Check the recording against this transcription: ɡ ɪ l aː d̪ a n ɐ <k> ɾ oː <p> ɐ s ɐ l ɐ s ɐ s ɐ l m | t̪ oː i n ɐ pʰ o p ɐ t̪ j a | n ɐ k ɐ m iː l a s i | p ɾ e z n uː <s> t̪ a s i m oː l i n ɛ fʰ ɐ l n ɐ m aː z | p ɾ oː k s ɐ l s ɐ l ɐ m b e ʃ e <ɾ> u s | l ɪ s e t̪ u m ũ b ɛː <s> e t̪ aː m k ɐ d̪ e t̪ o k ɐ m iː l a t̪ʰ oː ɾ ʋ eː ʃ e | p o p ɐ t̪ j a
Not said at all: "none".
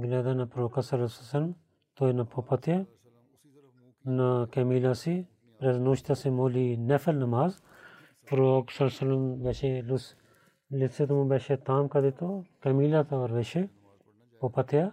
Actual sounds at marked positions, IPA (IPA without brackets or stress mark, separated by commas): p, k, ʃ, l, ʃ